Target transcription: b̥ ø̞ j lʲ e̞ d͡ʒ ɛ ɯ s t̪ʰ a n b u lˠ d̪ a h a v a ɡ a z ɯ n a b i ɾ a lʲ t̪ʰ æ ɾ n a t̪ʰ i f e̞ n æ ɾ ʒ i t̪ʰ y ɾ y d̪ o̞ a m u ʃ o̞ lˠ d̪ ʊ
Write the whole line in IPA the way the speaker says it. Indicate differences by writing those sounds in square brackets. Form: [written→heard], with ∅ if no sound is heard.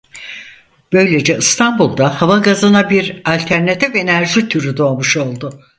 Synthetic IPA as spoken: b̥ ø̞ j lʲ e̞ d͡ʒ ɛ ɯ s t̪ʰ a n b u lˠ d̪ a h a v a ɡ a z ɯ n a b i ɾ a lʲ t̪ʰ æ ɾ n a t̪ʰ i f e̞ n æ ɾ ʒ i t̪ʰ y ɾ y d̪ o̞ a m u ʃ o̞ lˠ d̪ ʊ